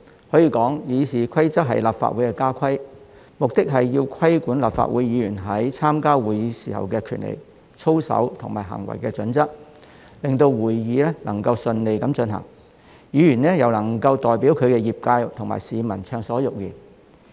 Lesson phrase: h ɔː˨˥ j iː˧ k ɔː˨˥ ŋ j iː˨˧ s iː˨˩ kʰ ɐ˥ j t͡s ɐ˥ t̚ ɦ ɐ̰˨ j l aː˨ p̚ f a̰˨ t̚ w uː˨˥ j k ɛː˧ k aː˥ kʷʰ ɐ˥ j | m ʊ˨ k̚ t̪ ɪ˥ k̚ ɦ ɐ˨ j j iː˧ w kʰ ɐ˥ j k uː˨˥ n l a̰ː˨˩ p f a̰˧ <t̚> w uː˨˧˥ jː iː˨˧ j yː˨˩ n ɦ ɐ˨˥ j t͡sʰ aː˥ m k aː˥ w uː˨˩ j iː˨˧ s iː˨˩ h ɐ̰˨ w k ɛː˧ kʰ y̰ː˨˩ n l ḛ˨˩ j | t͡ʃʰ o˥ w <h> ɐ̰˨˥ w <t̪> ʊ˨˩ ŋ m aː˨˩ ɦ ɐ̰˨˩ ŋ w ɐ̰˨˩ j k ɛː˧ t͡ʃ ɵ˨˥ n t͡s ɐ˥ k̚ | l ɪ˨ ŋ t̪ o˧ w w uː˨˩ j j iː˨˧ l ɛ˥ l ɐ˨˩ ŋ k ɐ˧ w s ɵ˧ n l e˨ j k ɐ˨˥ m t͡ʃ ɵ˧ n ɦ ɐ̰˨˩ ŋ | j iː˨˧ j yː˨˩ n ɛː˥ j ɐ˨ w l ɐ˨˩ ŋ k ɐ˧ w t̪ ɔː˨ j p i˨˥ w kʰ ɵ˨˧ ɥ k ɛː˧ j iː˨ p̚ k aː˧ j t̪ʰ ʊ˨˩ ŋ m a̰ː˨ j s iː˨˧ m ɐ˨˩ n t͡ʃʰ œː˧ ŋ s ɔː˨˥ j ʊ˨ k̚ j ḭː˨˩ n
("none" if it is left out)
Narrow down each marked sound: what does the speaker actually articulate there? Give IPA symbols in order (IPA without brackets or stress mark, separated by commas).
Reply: t̚, s, t̪ʰ